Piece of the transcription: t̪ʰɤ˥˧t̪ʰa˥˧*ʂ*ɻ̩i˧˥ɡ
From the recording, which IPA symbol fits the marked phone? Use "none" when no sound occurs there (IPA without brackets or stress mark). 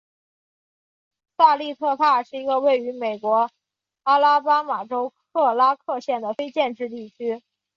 ʂ